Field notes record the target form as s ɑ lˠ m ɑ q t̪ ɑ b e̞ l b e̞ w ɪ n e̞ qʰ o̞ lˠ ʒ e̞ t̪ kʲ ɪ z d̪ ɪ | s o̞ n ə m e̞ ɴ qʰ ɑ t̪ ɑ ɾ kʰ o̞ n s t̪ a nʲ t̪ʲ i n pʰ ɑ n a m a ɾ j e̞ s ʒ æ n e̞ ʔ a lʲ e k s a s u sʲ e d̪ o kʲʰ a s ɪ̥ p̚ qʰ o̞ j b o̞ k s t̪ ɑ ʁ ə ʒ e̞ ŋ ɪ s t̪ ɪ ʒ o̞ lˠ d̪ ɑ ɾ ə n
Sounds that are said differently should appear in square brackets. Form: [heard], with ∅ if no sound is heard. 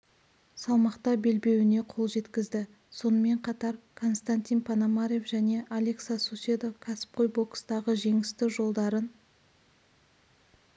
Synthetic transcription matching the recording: s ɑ lˠ m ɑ q t̪ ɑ b e̞ l b e̞ w ɪ n e̞ qʰ o̞ lˠ ʒ e̞ t̪ kʲ ɪ z d̪ ɪ | s o̞ n ə m e̞ ɴ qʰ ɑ t̪ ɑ ɾ kʰ o̞ n s t̪ a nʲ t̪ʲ i n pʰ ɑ n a m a ɾ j e̞ [f] ʒ æ n e̞ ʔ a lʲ e k s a s u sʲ e d̪ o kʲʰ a s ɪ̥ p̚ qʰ o̞ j b o̞ k s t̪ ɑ ʁ ə ʒ e̞ ŋ ɪ s t̪ ɪ ʒ o̞ lˠ d̪ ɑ ɾ ə n